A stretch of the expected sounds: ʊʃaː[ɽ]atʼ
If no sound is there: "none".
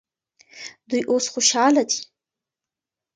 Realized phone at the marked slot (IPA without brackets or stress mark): l